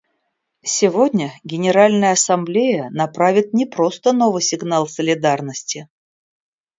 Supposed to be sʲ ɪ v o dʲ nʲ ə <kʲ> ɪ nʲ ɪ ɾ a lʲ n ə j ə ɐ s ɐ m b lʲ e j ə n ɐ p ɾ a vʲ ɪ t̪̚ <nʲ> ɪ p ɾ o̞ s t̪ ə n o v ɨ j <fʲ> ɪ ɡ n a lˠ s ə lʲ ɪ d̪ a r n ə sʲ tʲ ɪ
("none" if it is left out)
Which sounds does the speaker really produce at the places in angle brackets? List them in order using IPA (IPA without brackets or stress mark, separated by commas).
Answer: ɡʲ, nʲ, sʲ